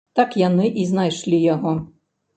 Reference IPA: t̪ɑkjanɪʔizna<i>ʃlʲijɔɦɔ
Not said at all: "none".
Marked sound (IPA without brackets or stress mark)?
j